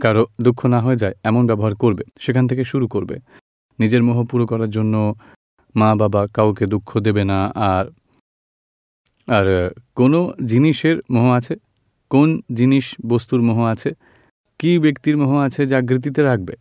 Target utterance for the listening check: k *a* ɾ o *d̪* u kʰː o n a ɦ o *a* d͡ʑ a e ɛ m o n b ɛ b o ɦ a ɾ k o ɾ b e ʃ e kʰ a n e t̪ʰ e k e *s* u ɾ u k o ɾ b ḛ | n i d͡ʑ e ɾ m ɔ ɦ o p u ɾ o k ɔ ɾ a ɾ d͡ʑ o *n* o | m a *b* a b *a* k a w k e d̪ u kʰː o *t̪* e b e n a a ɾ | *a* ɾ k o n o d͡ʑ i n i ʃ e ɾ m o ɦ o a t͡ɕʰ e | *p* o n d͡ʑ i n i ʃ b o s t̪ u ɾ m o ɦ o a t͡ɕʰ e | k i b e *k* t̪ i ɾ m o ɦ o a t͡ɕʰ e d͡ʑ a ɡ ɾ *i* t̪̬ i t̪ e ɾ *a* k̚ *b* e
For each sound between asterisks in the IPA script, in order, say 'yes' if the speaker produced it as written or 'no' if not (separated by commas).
yes, yes, no, no, no, yes, yes, no, yes, no, yes, yes, yes, yes